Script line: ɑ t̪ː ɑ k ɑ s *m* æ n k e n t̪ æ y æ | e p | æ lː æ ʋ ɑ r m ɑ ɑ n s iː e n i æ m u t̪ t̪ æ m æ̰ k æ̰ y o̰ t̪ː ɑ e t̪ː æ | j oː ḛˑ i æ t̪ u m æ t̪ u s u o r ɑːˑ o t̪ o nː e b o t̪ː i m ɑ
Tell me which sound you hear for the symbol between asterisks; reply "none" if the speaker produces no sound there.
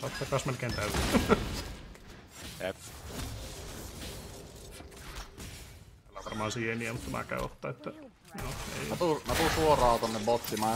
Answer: m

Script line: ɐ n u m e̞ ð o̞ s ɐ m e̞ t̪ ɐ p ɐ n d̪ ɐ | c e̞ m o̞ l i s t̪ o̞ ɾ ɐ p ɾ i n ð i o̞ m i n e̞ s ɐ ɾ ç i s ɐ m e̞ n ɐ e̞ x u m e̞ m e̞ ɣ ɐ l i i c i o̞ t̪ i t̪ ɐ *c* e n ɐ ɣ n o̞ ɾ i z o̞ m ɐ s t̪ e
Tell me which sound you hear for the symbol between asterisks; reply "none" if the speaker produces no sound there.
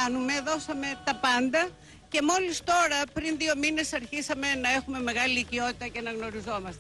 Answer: c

